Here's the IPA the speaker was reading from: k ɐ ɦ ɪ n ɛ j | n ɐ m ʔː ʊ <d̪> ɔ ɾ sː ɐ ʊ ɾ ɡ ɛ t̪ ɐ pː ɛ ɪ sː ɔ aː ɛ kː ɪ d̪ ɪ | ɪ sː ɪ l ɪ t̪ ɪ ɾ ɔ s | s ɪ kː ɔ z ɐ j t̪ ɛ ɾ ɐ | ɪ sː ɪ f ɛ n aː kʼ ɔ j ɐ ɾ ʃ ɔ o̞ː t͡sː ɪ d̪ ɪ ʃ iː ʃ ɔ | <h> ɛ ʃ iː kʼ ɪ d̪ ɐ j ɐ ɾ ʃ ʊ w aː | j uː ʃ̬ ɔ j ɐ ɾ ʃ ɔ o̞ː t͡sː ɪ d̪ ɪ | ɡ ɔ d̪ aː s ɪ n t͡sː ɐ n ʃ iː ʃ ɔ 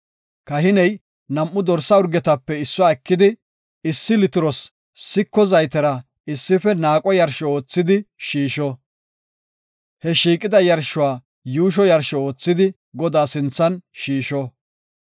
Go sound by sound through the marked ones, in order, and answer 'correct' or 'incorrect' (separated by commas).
correct, correct